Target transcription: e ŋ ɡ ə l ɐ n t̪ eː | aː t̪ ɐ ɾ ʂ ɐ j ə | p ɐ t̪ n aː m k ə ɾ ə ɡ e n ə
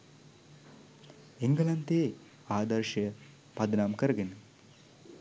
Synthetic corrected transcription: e ŋ ɡ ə l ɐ n t̪ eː | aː d̪ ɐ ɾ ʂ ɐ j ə | p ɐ d̪ n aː m k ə ɾ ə ɡ e n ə